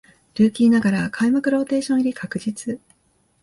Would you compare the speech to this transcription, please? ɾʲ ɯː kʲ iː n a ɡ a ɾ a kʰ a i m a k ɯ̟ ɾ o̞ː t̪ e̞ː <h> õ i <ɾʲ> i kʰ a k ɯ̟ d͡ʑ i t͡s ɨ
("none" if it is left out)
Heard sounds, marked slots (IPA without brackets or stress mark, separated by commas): ɕ, ɾʲ